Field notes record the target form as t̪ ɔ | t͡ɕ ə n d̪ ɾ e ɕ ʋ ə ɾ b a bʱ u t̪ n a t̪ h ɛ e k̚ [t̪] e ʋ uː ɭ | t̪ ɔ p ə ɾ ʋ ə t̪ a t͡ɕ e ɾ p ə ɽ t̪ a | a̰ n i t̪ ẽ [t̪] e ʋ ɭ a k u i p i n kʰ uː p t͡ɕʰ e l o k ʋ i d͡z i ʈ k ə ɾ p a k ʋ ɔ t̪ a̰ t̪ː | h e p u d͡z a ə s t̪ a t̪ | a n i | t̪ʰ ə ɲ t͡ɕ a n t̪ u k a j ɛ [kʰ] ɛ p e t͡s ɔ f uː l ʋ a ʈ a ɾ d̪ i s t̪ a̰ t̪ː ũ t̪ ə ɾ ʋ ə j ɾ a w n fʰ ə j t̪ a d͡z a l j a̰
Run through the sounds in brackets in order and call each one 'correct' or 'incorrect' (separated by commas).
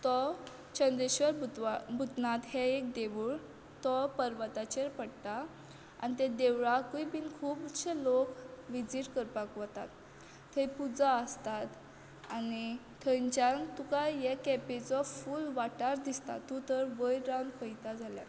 incorrect, incorrect, incorrect